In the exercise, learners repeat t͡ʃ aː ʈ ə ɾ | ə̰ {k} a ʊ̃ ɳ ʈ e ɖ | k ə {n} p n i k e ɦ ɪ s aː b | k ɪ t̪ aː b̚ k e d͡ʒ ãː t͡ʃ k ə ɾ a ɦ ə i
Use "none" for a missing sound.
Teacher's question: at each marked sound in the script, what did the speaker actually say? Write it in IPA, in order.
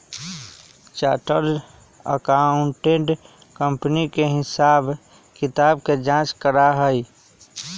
k, m

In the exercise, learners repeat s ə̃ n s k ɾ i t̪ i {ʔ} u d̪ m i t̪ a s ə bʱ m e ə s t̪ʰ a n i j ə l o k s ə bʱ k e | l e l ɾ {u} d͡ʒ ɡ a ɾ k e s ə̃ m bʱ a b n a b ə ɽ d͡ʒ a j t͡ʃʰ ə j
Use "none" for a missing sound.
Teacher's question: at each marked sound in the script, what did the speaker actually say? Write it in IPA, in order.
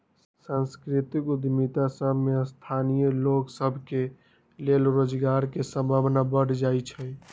k, o

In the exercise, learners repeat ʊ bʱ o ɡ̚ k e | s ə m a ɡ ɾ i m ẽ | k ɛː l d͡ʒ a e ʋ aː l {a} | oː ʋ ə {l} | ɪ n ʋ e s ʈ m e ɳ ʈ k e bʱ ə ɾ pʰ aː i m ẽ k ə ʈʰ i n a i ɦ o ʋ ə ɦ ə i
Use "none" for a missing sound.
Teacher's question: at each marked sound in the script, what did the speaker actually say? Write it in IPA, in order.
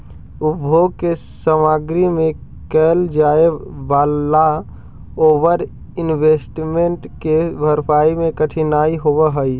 a, ɾ

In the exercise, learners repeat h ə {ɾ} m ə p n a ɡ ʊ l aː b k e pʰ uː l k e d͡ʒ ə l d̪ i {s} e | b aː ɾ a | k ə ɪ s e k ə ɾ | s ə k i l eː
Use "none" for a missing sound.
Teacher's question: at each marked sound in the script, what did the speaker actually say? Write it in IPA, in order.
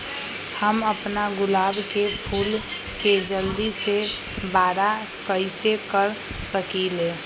none, s

